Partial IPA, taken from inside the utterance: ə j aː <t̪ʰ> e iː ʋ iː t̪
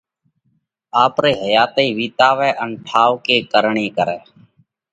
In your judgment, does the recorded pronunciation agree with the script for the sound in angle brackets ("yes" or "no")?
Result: no